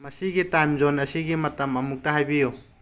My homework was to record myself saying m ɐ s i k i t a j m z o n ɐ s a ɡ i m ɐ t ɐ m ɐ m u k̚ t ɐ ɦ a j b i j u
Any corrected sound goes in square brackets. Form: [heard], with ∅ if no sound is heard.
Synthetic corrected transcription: m ɐ s i [ɡ] i t a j m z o n ɐ s [i] ɡ i m ɐ t ɐ m ɐ m u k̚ t ɐ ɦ a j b i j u